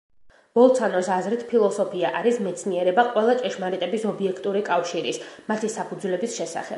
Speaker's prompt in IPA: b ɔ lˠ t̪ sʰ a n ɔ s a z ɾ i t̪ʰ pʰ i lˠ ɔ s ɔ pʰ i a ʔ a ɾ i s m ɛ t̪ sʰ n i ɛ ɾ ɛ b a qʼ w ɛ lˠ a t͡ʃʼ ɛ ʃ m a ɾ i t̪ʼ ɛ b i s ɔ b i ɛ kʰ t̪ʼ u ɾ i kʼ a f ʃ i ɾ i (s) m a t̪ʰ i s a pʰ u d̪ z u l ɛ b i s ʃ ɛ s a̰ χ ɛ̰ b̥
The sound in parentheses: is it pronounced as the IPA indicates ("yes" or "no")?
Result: yes